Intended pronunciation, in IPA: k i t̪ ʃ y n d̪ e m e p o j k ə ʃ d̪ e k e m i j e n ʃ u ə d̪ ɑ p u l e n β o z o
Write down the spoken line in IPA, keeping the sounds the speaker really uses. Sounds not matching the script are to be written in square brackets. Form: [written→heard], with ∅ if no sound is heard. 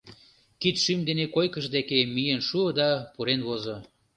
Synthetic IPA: k i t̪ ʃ y [n→m] d̪ e [m→n] e [p→k] o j k ə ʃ d̪ e k e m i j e n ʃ u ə d̪ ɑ p u [l→ɾ] e n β o z o